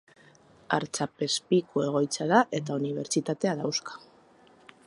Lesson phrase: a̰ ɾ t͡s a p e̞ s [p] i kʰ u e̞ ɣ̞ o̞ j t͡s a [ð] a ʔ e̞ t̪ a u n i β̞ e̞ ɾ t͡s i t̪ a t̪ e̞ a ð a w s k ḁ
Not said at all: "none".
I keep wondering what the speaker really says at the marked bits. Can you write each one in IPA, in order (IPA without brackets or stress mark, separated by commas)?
p, ð